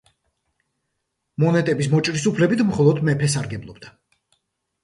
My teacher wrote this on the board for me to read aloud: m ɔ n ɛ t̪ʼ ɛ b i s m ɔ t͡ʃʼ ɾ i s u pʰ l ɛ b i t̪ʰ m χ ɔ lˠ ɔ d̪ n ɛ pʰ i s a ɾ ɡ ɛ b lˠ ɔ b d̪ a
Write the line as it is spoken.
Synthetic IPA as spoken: m ɔ n ɛ t̪ʼ ɛ b i s m ɔ t͡ʃʼ ɾ i s u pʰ l ɛ b i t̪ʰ m χ ɔ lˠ ɔ d̪ m ɛ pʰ ɛ s a ɾ ɡ ɛ b lˠ ɔ b d̪ a